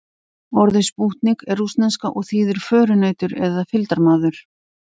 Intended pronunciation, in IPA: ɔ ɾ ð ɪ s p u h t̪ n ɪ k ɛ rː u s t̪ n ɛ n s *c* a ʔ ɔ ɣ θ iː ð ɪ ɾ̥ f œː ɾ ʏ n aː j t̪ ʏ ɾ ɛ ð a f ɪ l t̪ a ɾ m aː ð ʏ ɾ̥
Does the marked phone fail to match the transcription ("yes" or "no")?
yes